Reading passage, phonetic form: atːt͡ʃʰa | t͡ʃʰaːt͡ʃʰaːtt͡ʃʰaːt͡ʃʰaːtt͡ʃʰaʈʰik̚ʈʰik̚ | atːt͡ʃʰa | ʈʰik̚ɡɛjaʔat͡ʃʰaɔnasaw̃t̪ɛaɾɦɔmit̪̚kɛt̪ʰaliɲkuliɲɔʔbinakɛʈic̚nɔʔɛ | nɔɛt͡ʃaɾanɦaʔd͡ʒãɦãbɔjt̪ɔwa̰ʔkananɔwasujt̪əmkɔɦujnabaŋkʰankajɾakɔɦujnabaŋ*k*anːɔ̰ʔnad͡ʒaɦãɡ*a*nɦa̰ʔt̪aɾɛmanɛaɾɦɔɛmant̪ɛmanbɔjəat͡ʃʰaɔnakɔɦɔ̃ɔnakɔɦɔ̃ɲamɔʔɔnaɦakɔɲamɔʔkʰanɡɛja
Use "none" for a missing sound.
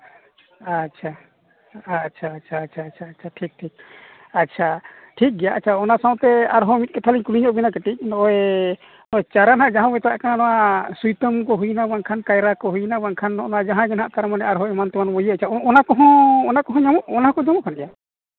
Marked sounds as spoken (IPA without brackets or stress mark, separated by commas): kʰ, ɛ